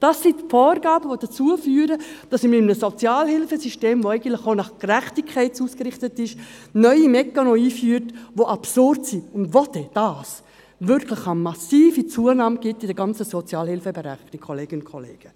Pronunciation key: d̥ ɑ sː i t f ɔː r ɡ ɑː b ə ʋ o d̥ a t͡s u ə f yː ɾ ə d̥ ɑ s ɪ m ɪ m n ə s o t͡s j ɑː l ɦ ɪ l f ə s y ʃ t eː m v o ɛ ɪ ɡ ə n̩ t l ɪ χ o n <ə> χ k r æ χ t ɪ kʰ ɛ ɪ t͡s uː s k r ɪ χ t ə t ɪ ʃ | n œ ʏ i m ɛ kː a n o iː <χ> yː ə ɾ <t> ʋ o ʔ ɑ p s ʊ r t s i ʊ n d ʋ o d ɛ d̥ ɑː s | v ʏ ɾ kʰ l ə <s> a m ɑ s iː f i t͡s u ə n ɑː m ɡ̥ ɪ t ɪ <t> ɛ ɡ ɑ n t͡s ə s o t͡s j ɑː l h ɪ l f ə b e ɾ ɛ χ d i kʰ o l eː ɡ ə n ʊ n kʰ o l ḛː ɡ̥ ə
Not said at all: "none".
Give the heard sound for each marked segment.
ɑ, f, t, χ, d

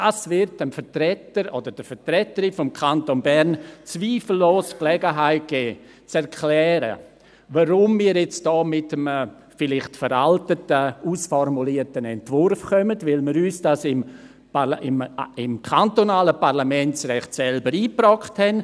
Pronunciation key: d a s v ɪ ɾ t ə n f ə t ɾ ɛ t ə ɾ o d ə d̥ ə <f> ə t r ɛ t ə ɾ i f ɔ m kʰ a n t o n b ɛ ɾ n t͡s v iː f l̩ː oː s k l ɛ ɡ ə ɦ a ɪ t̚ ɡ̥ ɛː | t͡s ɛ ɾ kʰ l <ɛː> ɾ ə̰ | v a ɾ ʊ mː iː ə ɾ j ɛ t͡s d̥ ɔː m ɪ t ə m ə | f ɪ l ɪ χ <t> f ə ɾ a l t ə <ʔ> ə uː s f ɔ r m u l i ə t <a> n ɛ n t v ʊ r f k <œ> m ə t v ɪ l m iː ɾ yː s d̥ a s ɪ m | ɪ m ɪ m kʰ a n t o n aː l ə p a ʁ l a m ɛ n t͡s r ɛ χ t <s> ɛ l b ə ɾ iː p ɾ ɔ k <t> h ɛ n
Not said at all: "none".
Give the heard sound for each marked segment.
f, ɛː, t, t, ə, œ, s, t

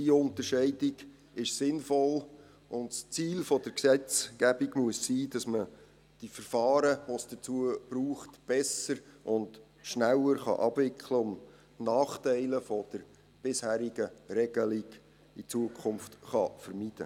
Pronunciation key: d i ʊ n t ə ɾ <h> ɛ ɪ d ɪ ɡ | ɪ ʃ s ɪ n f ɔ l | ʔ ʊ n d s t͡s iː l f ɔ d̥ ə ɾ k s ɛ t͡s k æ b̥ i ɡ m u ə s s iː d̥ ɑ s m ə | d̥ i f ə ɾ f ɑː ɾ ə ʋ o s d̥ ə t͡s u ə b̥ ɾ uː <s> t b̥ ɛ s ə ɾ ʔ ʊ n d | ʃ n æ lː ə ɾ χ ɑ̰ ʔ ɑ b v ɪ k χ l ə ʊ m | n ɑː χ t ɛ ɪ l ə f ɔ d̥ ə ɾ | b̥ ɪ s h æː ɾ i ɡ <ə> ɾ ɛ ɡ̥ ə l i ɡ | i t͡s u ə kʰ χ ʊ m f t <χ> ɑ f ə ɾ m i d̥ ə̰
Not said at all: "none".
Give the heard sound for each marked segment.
ʃ, χ, ə, χ

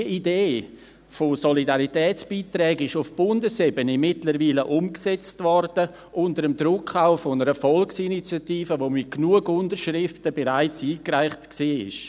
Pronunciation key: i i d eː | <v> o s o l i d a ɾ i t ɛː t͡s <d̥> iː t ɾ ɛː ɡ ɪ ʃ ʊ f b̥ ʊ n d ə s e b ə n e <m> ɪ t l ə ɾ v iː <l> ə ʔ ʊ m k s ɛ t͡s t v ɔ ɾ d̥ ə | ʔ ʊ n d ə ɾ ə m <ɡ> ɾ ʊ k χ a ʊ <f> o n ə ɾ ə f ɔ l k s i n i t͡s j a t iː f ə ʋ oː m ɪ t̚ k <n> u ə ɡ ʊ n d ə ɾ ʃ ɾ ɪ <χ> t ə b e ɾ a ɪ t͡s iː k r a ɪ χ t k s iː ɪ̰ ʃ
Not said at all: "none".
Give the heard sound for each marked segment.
f, b̥, m, l, d, f, n, f

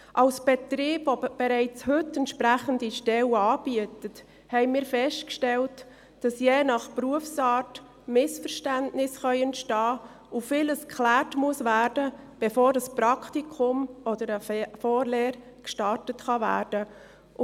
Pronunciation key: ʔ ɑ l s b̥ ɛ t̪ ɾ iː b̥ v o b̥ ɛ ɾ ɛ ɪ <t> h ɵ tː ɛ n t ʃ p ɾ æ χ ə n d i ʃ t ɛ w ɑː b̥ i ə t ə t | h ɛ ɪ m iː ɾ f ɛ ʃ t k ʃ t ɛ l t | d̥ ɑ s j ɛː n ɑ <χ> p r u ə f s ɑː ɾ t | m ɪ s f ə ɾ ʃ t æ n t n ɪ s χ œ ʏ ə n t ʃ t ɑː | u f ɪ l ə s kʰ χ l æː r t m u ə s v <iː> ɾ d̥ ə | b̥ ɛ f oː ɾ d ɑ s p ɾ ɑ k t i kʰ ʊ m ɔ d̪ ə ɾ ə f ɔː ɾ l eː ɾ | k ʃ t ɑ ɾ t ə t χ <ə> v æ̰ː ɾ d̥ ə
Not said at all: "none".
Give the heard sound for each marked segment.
t͡s, χ, æː, ɑ

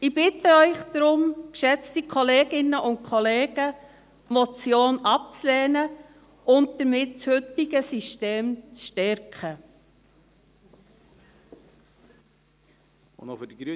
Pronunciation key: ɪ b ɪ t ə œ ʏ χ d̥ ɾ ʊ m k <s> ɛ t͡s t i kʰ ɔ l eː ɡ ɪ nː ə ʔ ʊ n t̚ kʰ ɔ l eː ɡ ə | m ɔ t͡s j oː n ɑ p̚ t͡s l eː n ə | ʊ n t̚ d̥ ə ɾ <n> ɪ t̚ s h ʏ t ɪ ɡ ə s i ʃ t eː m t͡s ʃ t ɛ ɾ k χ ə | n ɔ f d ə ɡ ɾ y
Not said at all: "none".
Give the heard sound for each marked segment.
ʃ, m

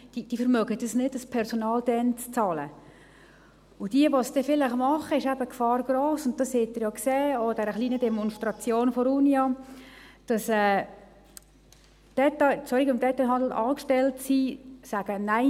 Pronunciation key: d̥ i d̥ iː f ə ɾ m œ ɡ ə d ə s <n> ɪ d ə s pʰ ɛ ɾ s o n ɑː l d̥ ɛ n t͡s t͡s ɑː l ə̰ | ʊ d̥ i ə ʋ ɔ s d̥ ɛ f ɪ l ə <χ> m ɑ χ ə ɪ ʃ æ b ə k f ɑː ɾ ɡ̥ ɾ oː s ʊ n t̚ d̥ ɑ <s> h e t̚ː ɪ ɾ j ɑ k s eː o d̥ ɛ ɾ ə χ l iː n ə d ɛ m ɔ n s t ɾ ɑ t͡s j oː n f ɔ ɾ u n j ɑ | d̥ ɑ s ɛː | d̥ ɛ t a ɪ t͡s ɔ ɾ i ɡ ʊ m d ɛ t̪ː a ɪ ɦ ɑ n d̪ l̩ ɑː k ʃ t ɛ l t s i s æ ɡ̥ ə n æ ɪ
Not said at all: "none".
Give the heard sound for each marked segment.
n, χ, s

